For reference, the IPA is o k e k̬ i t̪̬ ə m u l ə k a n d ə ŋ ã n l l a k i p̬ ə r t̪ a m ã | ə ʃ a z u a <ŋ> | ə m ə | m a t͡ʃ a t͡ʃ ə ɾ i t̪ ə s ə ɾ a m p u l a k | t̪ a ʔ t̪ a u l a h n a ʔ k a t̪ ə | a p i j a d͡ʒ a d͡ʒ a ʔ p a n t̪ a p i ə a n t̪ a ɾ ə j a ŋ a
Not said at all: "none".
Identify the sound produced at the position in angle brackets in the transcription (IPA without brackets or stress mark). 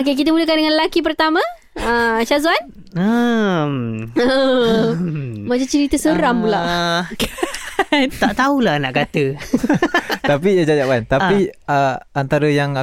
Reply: n